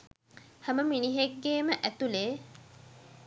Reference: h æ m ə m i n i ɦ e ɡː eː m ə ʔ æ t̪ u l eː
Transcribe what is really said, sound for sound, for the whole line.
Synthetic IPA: h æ m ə m i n i ɦ e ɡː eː m ə ʔ æ t̪ u l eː